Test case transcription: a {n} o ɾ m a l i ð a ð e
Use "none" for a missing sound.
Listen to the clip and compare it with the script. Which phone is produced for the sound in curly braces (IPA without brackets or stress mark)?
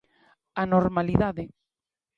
n